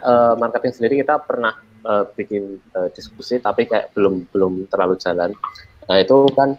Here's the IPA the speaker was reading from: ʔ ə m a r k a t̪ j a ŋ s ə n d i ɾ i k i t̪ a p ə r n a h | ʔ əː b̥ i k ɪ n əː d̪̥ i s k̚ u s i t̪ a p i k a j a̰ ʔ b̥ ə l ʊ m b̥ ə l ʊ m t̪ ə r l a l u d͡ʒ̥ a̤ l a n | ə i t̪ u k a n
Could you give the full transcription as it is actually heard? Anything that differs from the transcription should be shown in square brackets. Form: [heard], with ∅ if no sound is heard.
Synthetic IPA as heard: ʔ ə m a r k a t̪ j a ŋ s ə n d i ɾ i k i t̪ a p ə r n a h | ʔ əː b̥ i k ɪ n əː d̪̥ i s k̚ u s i t̪ a p i k a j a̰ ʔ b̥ ə l ʊ m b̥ ə l ʊ m t̪ ə r l a l u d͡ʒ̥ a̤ l a n | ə i t̪ u k a n